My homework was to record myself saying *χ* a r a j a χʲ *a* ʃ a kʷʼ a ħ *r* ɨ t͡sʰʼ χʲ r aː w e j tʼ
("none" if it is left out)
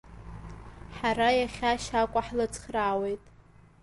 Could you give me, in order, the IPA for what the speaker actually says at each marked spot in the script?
ħ, a, l

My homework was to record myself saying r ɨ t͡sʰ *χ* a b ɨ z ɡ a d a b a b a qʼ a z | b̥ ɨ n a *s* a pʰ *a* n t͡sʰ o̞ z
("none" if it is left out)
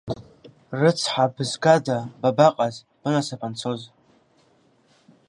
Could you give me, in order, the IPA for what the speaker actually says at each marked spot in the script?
ħ, s, a

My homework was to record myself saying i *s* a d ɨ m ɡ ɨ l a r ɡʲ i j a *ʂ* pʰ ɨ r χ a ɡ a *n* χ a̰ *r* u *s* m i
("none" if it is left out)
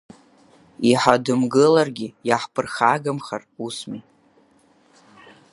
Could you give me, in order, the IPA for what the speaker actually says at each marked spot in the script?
ħ, ħ, m, r, s

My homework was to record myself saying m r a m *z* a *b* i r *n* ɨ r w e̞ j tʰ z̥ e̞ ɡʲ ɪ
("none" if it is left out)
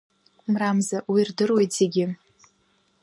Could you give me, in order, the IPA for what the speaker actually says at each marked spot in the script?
z, w, d

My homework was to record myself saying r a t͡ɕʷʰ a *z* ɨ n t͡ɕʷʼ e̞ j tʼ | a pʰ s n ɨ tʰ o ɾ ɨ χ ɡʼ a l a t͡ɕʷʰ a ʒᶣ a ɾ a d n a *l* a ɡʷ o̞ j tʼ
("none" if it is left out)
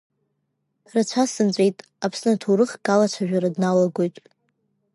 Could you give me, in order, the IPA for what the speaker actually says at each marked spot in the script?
s, l

